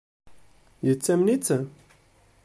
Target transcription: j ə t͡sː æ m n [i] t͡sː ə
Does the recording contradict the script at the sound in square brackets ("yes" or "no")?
no